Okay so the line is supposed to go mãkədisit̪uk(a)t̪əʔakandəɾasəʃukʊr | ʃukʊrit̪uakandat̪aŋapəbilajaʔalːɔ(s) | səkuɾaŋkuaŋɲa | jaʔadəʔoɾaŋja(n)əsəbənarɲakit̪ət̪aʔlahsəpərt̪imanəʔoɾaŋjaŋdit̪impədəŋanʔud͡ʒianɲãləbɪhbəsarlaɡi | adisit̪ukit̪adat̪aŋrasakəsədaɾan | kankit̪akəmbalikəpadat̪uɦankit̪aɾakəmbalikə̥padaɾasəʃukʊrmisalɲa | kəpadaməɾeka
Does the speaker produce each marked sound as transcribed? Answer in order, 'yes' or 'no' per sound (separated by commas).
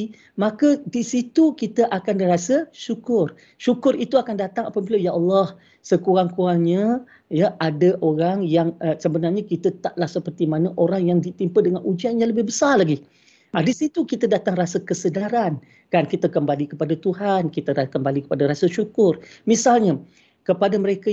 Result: no, no, no